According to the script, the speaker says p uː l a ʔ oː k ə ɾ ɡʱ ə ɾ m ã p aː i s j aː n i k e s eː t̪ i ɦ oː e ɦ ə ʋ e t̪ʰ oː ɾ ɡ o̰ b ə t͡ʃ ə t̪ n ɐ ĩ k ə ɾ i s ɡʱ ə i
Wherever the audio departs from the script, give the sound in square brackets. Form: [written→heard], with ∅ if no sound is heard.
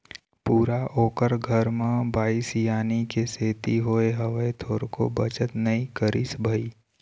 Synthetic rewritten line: p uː [l→ɾ] a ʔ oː k ə ɾ ɡʱ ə ɾ m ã [p→b] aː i s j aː n i k e s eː t̪ i ɦ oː e ɦ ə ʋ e t̪ʰ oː ɾ [ɡ→k] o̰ b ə t͡ʃ ə t̪ n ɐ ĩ k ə ɾ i s [ɡʱ→bʱ] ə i